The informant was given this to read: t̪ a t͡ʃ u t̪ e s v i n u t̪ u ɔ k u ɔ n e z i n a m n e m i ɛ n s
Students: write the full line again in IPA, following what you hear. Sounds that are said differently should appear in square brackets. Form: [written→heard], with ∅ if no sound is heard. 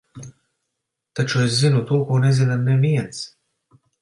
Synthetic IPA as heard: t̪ a t͡ʃ u [t̪→∅] e s [v→z] i n u t̪ u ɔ k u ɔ n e z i n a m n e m i ɛ n s